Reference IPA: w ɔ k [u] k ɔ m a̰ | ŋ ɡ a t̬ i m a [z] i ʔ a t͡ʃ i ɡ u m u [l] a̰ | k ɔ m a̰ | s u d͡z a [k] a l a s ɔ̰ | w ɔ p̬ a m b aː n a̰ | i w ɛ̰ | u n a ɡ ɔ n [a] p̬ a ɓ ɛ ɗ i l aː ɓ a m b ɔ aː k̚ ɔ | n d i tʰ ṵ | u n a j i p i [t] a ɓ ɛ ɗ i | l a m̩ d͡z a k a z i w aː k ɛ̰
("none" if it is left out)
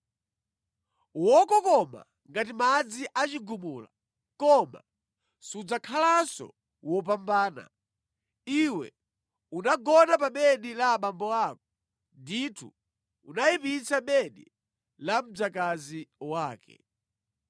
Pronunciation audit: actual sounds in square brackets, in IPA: ɔ, d͡z, l, kʰ, a, t͡s

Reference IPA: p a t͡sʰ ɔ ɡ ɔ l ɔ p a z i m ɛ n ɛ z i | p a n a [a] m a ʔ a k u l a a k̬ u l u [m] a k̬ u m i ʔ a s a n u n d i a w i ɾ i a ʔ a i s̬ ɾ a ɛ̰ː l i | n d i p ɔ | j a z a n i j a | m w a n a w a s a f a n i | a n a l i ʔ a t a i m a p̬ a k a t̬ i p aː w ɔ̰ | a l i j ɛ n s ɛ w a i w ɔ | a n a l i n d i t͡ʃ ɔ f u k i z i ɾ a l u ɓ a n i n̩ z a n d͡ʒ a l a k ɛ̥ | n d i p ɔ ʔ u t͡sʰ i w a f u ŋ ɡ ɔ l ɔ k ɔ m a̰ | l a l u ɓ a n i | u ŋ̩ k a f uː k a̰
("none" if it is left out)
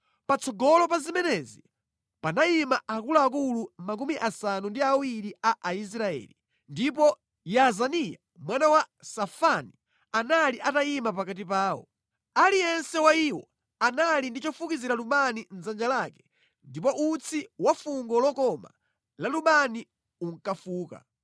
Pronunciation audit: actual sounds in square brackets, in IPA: i, m

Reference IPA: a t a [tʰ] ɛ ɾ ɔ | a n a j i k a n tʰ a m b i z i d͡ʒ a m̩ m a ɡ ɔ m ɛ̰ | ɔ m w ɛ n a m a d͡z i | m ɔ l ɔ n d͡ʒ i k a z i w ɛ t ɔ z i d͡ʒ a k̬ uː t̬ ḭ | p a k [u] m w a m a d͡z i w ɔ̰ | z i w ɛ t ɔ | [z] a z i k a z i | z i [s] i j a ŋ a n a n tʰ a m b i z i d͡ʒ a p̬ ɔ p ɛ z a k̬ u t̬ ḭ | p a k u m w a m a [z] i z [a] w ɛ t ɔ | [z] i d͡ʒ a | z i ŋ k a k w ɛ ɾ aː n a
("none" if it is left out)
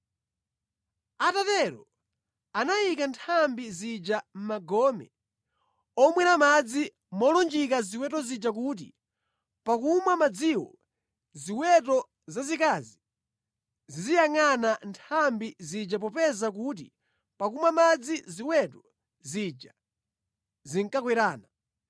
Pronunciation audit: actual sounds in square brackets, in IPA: t, u, z, z, d͡z, i, z

